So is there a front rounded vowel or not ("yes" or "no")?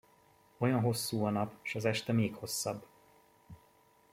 no